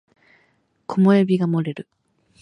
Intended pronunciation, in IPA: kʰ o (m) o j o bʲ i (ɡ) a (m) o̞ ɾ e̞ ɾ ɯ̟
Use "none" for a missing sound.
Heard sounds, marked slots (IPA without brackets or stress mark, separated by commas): m, ɡ, m